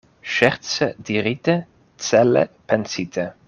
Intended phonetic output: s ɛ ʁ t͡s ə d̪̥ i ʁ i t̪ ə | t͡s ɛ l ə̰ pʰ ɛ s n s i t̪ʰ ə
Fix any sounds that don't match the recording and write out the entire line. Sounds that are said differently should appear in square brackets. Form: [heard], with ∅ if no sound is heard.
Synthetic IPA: [ʃ] ɛ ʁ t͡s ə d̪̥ i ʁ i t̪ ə | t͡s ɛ l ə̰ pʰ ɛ [∅] n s i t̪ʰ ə